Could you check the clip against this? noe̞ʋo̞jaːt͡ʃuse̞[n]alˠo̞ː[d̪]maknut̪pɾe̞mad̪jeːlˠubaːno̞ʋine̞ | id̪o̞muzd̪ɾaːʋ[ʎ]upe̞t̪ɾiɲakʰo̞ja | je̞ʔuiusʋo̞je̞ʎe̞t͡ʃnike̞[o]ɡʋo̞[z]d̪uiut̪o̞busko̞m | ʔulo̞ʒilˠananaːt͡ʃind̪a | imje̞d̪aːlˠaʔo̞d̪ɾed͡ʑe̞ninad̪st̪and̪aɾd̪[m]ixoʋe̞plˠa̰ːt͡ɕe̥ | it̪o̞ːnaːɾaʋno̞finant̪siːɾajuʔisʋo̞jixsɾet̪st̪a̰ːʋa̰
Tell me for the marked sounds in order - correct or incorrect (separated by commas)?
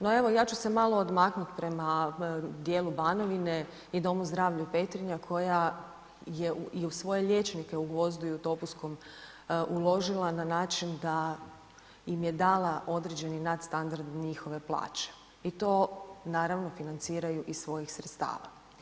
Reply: incorrect, correct, correct, incorrect, correct, incorrect